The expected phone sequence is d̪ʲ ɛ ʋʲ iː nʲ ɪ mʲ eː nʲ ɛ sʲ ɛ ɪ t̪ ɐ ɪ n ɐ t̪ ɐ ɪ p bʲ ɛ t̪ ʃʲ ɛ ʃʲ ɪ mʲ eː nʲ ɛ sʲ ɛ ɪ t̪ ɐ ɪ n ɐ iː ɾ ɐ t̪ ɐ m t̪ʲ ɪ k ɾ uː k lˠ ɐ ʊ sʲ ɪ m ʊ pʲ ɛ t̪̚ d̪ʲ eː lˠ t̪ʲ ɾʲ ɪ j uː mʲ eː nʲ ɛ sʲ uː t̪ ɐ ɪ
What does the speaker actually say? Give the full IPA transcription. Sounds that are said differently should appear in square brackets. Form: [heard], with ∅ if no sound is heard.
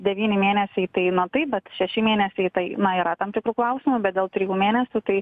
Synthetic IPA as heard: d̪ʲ ɛ ʋʲ iː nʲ ɪ mʲ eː nʲ ɛ sʲ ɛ ɪ t̪ ɐ ɪ n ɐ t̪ ɐ ɪ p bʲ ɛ t̪ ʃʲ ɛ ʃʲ ɪ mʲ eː nʲ ɛ sʲ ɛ ɪ t̪ ɐ ɪ n ɐ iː ɾ ɐ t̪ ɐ m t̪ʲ ɪ k ɾ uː k lˠ ɐ ʊ sʲ ɪ m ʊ [bʲ] ɛ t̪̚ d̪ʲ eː lˠ t̪ʲ ɾʲ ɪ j uː mʲ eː nʲ ɛ sʲ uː t̪ ɐ ɪ